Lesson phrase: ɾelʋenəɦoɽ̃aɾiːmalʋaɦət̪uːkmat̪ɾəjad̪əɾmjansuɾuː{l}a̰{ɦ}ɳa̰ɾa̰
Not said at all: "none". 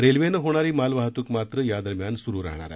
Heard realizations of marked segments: ɾ, ɦ

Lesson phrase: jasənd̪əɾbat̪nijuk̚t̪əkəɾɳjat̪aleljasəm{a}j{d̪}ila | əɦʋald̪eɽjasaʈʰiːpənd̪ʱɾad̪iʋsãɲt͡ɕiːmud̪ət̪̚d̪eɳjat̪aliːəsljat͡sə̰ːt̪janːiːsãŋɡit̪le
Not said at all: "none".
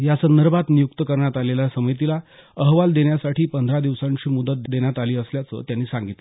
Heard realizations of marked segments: ə, t̪

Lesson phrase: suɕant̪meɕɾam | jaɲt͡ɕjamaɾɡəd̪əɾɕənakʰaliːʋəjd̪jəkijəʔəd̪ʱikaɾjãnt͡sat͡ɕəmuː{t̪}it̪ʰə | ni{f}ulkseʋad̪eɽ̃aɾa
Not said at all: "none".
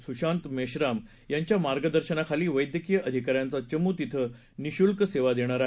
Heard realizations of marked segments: t̪, ɕ

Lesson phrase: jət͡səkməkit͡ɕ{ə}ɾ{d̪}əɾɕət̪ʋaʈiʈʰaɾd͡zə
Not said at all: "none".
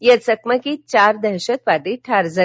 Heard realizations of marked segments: a, d̪

